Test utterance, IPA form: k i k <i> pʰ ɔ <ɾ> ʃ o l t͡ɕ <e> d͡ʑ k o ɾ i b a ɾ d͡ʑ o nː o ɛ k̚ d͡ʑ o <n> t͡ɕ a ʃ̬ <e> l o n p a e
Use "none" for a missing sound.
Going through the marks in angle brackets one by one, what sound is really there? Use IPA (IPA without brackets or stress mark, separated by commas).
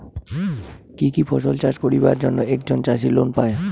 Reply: i, none, a, n, i